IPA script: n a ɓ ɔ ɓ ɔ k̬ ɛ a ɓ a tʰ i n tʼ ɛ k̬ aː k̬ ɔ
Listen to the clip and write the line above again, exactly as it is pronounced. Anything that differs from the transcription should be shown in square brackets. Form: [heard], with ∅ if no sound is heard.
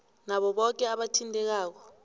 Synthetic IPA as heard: n a ɓ ɔ ɓ ɔ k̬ ɛ a ɓ a tʰ i n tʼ ɛ k̬ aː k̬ ɔ